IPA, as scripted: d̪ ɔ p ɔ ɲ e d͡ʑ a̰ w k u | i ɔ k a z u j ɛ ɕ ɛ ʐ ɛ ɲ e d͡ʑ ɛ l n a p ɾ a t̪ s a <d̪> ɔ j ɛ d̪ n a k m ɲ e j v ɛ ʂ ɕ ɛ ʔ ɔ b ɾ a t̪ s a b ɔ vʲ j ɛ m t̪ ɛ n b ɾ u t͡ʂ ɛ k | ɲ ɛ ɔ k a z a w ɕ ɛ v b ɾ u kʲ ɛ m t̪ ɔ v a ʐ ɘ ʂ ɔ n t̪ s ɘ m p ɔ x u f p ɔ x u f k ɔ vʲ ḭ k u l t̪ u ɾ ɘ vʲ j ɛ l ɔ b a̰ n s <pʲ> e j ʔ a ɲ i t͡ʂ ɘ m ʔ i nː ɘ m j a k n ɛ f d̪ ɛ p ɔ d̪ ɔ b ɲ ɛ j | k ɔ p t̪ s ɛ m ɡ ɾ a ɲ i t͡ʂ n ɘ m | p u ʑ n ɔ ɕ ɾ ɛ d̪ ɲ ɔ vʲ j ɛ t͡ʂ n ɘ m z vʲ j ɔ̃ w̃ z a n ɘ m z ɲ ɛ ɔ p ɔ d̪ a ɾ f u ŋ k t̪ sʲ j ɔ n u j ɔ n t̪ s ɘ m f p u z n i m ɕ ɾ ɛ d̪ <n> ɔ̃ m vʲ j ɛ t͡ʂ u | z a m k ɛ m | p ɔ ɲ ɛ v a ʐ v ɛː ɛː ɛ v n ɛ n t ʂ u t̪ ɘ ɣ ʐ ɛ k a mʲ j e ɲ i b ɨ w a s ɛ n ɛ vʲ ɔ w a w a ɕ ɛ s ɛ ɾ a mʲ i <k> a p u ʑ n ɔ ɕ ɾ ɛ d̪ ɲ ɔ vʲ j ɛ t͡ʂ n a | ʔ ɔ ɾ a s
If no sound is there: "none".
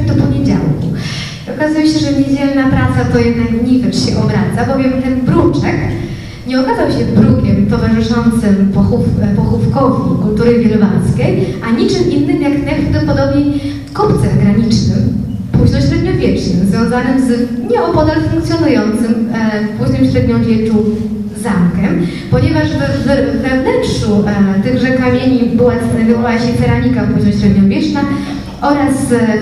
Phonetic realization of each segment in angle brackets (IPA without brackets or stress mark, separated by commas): t̪, kʲ, ɲ, k